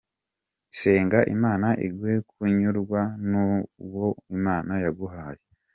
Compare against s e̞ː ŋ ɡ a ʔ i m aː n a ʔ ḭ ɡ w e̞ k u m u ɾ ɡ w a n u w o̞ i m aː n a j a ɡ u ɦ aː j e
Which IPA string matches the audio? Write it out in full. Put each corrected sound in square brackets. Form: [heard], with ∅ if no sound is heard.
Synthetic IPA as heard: s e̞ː ŋ ɡ a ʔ i m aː n a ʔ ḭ ɡ w e̞ k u [ɲ] u ɾ ɡ w a n u w o̞ i m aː n a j a ɡ u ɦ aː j e